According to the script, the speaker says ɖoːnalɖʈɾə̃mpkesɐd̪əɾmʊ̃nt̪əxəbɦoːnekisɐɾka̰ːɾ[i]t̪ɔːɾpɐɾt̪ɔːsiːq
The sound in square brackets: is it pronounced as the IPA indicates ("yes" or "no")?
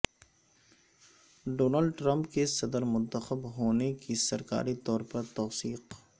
yes